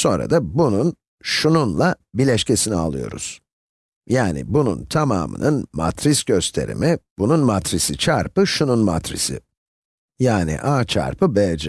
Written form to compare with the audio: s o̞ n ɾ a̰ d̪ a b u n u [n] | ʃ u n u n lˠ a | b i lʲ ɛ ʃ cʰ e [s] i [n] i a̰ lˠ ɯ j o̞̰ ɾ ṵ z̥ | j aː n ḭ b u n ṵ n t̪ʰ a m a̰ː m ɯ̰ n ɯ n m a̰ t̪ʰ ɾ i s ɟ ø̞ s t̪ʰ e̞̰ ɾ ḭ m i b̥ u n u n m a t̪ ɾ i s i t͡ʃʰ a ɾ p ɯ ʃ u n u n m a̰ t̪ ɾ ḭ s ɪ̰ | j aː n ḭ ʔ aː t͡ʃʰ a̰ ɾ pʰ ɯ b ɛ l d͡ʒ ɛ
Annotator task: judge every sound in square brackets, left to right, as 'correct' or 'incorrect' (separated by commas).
correct, correct, correct